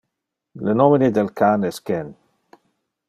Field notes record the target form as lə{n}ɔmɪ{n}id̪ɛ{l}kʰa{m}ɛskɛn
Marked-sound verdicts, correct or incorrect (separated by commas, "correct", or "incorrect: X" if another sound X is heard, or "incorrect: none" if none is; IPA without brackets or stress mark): correct, correct, correct, incorrect: n